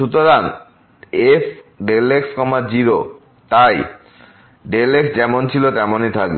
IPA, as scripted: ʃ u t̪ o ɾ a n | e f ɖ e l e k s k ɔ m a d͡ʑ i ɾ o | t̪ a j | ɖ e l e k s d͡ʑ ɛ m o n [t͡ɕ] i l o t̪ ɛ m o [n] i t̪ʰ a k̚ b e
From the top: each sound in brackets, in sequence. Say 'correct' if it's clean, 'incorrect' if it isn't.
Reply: incorrect, correct

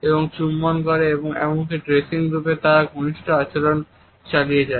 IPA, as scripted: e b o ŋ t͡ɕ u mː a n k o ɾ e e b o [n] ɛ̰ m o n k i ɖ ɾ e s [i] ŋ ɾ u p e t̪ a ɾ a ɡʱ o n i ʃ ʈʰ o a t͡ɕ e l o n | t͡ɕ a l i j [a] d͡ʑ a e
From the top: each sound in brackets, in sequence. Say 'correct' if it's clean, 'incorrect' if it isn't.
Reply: incorrect, correct, incorrect

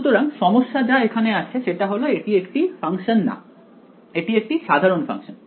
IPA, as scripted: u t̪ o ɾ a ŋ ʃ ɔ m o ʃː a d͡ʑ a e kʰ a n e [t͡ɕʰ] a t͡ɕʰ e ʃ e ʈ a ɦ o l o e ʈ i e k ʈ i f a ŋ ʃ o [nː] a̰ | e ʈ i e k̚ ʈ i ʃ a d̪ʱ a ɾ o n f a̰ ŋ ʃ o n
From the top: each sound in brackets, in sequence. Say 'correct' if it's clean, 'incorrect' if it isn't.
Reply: incorrect, correct

